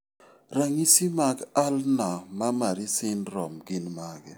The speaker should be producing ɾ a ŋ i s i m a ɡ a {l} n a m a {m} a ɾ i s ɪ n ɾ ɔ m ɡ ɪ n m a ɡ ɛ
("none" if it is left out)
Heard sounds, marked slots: l, m

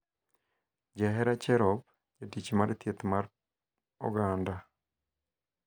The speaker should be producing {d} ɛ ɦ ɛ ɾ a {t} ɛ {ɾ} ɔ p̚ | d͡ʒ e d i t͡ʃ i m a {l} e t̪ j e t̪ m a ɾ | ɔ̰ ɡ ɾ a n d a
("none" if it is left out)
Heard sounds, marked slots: d͡ʒ, t͡ʃ, ɾ, ɾ

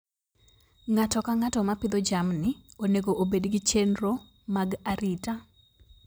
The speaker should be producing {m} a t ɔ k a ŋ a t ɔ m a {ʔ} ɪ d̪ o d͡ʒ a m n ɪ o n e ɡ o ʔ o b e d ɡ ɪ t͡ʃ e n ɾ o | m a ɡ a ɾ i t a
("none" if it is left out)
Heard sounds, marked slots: ŋ, p

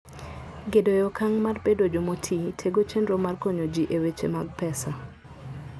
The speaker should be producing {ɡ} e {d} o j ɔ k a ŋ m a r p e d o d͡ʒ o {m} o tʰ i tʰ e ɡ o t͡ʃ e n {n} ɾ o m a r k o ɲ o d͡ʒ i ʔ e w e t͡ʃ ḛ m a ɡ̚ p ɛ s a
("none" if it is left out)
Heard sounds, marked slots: ɡ, d, m, d

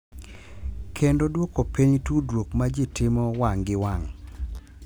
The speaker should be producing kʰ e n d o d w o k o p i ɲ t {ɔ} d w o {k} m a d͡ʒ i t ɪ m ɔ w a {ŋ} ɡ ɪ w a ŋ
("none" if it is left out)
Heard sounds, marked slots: u, k, ŋ

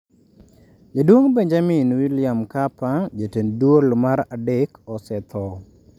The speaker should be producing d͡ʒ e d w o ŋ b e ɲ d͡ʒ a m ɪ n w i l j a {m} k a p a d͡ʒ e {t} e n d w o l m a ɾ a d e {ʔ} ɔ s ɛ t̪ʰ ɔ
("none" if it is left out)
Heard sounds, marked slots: m, t, k

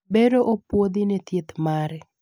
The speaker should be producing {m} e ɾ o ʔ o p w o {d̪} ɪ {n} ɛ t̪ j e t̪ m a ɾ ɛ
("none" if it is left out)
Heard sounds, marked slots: b, d̪, n

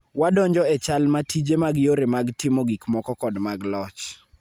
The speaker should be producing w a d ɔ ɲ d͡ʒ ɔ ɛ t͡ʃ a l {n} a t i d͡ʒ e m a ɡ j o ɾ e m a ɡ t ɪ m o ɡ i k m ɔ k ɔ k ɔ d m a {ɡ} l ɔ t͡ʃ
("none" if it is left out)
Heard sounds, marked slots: m, ɡ

